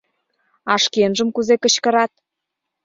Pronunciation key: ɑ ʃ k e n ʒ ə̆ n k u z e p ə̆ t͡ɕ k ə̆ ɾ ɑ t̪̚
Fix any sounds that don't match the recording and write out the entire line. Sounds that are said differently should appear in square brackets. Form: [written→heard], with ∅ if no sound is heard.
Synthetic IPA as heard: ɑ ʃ k e n ʒ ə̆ [n→m] k u z e [p→k] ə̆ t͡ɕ k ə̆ ɾ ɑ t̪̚